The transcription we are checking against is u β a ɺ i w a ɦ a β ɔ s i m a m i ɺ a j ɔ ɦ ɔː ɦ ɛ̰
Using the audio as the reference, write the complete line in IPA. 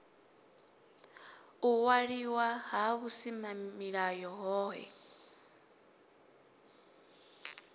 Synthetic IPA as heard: u w a ɺ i w a ɦ a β u s i m a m i ɺ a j ɔ ɦ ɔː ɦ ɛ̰